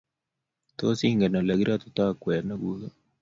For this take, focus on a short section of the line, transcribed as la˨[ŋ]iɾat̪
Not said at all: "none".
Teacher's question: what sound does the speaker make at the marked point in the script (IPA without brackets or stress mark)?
ɡ